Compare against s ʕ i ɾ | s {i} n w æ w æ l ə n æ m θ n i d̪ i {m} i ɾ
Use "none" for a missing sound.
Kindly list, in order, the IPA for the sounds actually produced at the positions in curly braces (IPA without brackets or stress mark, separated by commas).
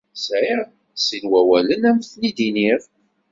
i, n